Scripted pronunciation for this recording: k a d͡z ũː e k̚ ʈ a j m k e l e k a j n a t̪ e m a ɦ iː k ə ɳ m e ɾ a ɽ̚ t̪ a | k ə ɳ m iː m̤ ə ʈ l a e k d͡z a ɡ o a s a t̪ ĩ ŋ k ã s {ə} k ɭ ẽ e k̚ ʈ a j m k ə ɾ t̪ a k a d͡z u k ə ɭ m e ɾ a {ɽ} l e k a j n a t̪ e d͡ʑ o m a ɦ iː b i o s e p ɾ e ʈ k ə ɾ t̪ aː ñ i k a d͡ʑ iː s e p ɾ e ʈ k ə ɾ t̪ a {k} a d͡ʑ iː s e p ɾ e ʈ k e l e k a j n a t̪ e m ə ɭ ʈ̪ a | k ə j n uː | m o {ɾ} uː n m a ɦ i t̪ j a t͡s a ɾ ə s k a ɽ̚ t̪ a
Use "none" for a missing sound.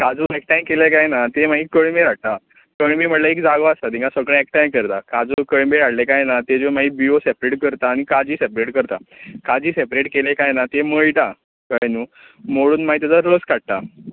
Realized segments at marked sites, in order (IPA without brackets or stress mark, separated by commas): ə, ɽ, k, ɽ